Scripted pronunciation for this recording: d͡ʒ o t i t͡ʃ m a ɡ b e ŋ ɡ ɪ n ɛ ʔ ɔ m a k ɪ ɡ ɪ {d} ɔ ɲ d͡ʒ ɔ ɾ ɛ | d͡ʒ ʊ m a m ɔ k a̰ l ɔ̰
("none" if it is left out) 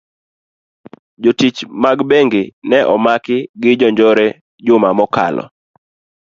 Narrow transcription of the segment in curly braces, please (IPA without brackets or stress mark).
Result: d͡ʒ